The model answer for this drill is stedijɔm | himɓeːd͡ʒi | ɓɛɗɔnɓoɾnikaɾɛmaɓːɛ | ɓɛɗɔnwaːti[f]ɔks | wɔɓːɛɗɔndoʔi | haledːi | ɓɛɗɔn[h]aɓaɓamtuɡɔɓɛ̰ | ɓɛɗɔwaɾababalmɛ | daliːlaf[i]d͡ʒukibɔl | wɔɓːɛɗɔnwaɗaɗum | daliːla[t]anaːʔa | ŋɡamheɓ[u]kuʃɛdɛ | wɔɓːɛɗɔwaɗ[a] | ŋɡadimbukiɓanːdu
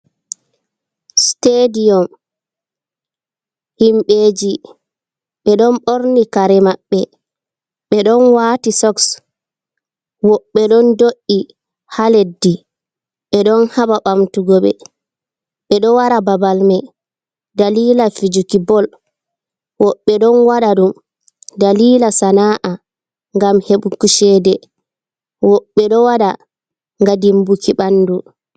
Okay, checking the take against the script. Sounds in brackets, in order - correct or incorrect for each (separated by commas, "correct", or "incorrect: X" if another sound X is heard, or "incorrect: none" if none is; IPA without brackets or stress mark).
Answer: incorrect: s, correct, correct, incorrect: s, correct, correct